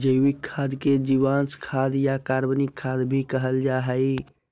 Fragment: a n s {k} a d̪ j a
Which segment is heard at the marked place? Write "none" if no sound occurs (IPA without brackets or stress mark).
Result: kʰ